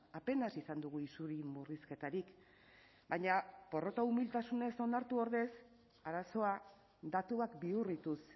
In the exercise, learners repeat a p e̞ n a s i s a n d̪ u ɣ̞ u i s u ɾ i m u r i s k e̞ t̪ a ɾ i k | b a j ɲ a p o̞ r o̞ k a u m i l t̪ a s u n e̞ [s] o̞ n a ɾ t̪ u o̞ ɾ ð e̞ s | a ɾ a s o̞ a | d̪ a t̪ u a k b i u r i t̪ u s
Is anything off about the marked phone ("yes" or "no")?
no